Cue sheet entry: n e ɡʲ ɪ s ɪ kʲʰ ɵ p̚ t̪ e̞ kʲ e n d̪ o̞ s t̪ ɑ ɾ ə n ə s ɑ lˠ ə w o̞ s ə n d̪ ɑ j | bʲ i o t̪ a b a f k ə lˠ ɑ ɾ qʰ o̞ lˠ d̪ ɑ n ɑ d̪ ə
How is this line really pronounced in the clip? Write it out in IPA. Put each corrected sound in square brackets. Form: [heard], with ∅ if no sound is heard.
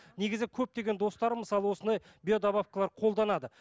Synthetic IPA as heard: n e ɡʲ ɪ [z] ɪ kʲʰ ɵ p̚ t̪ e̞ [ɡʲ] e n d̪ o̞ s t̪ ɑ ɾ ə [m] ə s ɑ lˠ ə w o̞ s ə n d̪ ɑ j | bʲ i o [d̪] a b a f k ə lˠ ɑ ɾ qʰ o̞ lˠ d̪ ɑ n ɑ d̪ ə